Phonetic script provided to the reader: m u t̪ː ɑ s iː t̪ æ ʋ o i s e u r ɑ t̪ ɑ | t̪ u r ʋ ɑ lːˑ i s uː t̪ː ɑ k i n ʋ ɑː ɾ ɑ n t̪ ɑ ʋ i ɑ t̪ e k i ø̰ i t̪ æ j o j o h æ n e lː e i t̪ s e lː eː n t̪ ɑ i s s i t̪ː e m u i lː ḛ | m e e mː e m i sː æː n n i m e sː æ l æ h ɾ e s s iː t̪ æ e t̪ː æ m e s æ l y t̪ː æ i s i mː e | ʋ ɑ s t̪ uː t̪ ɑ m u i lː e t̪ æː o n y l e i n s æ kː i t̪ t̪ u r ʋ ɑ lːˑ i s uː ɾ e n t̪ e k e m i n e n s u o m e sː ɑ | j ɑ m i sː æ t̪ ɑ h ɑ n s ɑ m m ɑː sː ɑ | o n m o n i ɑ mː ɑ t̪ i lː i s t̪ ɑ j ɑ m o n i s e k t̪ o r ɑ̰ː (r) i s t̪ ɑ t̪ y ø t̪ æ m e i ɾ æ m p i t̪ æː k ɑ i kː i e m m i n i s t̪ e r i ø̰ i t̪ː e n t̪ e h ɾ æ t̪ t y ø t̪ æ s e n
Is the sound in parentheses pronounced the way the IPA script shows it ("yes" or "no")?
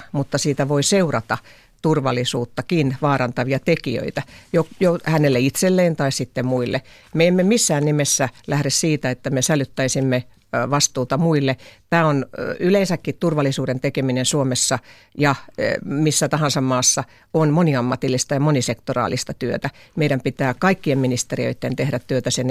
no